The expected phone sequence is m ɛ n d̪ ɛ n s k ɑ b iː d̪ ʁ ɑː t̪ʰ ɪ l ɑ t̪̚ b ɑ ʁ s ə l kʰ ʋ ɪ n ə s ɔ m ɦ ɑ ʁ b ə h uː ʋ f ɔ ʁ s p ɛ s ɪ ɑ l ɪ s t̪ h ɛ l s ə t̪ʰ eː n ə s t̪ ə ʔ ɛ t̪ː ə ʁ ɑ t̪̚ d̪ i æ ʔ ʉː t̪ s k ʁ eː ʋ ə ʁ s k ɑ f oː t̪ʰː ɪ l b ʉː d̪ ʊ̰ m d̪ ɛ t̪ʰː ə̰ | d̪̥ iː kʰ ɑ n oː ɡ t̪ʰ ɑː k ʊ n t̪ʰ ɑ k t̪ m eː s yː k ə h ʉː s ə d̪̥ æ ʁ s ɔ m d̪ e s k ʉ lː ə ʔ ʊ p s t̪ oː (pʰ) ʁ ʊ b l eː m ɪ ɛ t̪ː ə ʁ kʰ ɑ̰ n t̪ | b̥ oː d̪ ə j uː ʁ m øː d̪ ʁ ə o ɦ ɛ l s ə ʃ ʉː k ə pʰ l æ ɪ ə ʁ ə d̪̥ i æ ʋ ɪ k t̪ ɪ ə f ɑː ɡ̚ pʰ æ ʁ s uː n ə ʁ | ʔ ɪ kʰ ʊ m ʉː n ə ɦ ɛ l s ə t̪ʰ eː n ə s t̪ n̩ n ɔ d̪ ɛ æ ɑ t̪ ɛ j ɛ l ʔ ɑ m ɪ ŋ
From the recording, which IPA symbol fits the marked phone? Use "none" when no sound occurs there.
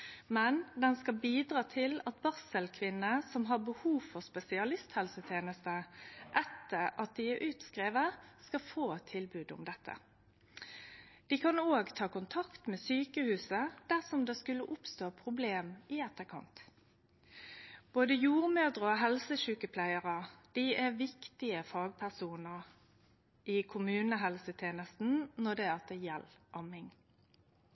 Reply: pʰ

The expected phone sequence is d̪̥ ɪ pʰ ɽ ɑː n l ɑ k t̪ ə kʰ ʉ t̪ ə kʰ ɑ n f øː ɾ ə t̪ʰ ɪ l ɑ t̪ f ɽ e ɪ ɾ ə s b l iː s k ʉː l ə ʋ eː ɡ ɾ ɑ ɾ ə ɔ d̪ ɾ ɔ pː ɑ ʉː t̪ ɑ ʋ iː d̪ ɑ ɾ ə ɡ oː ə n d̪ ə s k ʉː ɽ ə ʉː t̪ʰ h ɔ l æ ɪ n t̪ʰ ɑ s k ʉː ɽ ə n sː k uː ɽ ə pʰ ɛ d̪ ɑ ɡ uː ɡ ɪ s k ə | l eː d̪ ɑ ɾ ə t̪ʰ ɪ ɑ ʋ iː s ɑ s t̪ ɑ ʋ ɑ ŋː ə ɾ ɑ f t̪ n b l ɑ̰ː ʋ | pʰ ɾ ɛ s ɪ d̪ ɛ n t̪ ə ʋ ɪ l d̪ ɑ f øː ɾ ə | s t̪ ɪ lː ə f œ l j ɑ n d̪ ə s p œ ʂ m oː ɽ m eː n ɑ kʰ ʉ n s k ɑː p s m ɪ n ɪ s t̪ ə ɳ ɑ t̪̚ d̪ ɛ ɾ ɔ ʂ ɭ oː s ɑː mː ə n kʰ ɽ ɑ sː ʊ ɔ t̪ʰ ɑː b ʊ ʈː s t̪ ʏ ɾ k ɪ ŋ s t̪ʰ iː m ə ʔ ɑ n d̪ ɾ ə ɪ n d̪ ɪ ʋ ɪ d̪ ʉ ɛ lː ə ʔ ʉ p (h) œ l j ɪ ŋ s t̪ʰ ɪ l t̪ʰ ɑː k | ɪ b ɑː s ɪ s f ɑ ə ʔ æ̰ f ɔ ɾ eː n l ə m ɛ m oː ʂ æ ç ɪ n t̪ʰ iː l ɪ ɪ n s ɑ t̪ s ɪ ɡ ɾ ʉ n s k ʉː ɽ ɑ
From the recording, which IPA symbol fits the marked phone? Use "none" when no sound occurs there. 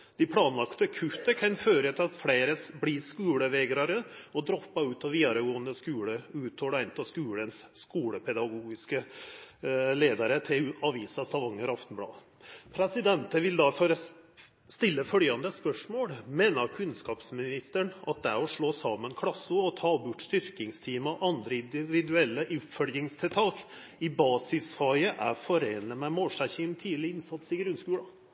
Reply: f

